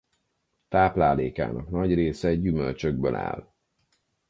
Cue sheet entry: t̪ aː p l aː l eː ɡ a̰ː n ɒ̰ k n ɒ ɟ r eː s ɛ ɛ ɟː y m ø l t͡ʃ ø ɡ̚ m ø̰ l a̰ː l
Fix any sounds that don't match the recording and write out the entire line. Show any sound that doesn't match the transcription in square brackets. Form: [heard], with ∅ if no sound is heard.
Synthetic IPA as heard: t̪ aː p l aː l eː [k] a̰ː n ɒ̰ k n ɒ ɟ r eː s ɛ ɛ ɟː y m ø l t͡ʃ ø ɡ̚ [b] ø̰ l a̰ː l

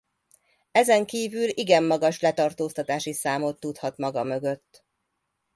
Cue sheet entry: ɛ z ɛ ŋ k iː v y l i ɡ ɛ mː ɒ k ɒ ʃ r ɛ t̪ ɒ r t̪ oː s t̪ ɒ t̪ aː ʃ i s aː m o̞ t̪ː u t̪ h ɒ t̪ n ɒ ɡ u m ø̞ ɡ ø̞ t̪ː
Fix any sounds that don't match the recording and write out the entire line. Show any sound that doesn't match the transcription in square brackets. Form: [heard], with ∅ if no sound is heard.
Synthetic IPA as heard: ɛ z ɛ ŋ k iː v y l i ɡ ɛ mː ɒ [ɡ] ɒ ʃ [l] ɛ t̪ ɒ r t̪ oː s t̪ ɒ t̪ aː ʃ i s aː m o̞ t̪ː u t̪ h ɒ t̪ [m] ɒ ɡ [ɒ] m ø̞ ɡ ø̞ t̪ː

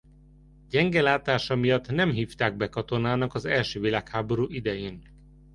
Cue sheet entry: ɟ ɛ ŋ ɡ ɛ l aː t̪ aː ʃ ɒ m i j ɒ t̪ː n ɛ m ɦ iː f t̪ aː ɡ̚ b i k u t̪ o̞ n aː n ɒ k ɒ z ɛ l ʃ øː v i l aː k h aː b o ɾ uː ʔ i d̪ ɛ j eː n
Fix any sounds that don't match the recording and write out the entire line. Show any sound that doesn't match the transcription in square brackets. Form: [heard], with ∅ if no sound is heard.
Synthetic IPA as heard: ɟ ɛ ŋ ɡ ɛ l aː t̪ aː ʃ ɒ m i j ɒ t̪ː n ɛ m ɦ iː f t̪ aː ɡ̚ b [ɛ] k [ɒ] t̪ o̞ n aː n ɒ k ɒ z ɛ l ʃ øː v i l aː k h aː b o ɾ uː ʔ i d̪ ɛ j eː n

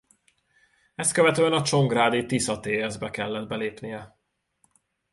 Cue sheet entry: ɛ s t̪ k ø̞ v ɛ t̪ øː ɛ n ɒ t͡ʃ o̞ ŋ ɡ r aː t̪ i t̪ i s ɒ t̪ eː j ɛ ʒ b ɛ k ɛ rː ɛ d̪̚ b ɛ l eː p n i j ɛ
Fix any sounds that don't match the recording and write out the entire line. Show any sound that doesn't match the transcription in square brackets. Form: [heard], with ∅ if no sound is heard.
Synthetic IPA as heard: ɛ s t̪ k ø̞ v ɛ t̪ øː ɛ n ɒ t͡ʃ o̞ ŋ ɡ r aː [d̪] i t̪ i s ɒ t̪ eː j ɛ [z] b ɛ k ɛ [lː] ɛ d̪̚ b ɛ l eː p n i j ɛ

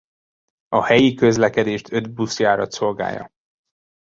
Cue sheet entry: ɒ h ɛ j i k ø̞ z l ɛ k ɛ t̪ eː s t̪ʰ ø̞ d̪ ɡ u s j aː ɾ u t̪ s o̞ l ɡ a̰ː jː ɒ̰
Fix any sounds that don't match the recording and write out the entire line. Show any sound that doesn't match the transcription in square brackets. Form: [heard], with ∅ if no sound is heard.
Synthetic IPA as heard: ɒ h ɛ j i k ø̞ z l ɛ k ɛ [d̪] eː [ʃ] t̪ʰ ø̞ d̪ [b] u s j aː ɾ [ɒ] t̪ s o̞ l ɡ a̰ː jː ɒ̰

